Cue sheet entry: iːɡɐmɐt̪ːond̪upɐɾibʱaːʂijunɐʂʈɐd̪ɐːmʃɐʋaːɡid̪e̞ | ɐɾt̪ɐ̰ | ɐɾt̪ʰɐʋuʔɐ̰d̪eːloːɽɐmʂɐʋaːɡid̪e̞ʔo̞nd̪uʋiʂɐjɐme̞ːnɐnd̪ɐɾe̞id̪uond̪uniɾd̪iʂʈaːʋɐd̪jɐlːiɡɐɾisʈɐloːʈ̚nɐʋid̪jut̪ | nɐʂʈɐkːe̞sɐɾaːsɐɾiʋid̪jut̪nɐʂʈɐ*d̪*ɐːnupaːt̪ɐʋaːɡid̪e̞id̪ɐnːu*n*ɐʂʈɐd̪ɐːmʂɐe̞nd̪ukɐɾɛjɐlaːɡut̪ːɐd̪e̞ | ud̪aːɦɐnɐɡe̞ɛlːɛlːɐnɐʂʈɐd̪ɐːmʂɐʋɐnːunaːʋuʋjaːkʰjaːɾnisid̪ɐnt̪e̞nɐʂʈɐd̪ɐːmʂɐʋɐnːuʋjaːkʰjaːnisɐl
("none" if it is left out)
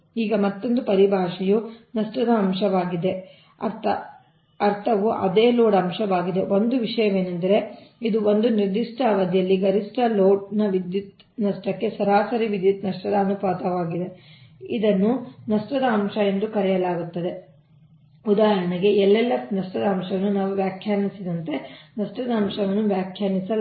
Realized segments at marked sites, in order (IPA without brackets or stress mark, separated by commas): d̪, n